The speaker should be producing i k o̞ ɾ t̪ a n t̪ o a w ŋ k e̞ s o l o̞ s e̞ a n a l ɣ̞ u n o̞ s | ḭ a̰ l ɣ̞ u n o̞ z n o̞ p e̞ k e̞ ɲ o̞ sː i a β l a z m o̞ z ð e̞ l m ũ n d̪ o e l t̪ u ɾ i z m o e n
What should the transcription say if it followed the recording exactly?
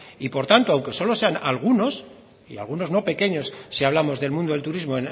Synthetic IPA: i p o̞ ɾ t̪ a n t̪ o a w ŋ k e̞ s o l o̞ s e̞ a n a l ɣ̞ u n o̞ s | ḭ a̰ l ɣ̞ u n o̞ z n o̞ p e̞ k e̞ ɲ o̞ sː i a β l a m o̞ z ð e̞ l m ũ n d̪ o e l t̪ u ɾ i z m o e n